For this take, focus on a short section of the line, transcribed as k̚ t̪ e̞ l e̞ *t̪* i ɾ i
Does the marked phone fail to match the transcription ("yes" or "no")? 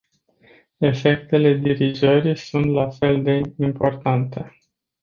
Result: yes